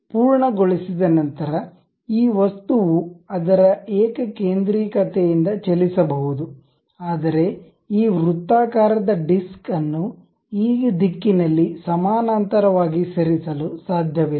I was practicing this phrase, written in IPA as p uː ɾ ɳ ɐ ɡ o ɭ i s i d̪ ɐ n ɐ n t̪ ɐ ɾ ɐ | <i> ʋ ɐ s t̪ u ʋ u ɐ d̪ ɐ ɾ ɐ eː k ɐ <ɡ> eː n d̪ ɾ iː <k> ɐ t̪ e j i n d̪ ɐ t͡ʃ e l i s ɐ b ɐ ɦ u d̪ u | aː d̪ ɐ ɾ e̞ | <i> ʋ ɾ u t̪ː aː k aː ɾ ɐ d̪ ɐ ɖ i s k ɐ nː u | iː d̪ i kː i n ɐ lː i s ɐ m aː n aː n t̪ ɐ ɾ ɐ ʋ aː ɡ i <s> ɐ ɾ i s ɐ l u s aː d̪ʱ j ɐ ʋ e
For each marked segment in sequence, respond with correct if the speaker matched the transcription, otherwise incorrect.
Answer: incorrect: iː, incorrect: k, correct, incorrect: iː, correct

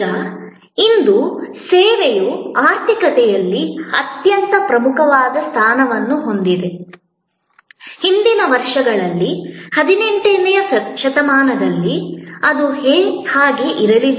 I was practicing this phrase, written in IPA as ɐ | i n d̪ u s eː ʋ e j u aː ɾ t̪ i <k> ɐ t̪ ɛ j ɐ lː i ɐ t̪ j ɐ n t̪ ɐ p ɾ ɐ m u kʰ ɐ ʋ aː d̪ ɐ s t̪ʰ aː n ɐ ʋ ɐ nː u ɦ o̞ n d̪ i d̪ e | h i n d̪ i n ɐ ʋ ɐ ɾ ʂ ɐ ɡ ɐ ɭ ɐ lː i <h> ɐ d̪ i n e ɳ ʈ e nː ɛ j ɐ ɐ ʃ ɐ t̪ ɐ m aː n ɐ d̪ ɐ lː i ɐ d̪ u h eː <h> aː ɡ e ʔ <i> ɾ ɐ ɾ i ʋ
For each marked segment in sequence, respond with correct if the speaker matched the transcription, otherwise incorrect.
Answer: correct, correct, correct, correct

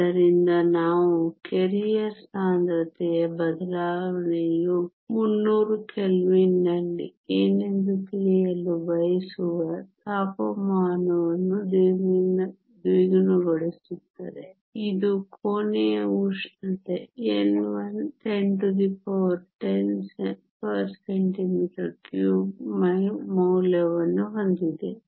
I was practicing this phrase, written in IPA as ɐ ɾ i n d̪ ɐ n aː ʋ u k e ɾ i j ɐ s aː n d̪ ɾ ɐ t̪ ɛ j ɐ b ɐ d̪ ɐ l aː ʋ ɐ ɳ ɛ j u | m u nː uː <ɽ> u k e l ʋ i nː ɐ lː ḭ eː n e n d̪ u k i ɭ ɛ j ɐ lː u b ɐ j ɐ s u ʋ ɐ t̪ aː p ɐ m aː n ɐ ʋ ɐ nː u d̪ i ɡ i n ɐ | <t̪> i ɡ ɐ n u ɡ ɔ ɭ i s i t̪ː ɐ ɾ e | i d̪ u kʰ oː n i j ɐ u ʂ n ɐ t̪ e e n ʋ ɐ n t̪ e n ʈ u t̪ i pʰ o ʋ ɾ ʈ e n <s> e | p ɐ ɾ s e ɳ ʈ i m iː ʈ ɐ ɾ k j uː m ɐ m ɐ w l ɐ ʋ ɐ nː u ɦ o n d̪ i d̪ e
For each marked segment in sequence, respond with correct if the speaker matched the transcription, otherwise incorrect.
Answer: incorrect: ɾ, incorrect: d̪, correct

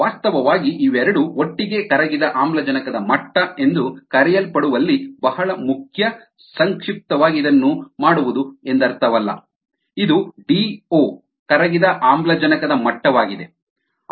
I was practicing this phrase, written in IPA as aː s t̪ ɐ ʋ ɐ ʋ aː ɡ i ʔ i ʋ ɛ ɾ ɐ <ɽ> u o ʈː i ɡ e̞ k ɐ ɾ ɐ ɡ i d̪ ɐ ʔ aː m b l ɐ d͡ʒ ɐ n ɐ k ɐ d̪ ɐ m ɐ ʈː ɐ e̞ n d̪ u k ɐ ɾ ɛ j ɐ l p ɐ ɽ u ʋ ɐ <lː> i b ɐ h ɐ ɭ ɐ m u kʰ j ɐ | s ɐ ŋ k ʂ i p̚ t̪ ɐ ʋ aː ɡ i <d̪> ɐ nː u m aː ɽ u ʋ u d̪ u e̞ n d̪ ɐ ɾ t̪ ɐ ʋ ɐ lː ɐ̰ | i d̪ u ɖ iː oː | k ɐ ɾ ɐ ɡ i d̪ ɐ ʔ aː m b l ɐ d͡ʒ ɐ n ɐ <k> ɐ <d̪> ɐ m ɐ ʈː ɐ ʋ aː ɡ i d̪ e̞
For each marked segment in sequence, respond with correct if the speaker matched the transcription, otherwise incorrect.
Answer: correct, correct, correct, correct, correct

